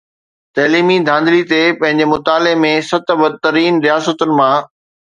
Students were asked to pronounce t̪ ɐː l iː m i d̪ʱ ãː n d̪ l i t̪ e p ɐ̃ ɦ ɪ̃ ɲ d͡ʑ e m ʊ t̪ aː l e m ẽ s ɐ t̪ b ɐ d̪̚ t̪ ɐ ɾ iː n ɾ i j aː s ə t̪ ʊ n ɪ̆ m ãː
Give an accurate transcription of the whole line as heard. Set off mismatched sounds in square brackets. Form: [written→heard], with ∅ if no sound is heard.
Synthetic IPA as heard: t̪ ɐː l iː m i d̪ʱ ãː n d̪ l i t̪ e p ɐ̃ ɦ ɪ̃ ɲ d͡ʑ e m ʊ t̪ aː l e m ẽ s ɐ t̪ b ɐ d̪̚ t̪ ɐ ɾ iː n ɾ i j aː s ə t̪ ʊ n ɪ̆ m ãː